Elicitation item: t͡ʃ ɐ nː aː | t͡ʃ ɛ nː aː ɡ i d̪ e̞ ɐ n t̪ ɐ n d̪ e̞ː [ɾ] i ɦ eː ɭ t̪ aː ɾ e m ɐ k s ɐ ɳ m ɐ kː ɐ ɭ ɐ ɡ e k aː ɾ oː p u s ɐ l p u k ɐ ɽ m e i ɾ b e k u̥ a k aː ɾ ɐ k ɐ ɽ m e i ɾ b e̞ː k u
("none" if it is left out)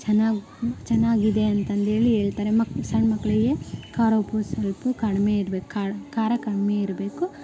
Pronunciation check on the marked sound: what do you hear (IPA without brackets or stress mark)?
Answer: ɭ